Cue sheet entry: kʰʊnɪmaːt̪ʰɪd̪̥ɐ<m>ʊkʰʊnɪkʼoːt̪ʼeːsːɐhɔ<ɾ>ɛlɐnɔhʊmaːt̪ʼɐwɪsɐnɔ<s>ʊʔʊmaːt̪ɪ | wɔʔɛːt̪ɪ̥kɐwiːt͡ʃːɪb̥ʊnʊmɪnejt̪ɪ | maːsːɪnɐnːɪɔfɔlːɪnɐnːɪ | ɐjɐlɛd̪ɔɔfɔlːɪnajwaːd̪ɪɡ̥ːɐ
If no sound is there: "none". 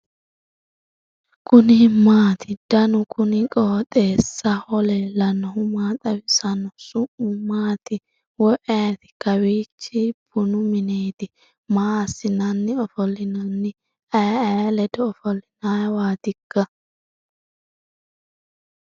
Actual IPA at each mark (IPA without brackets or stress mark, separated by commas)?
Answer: n, l, s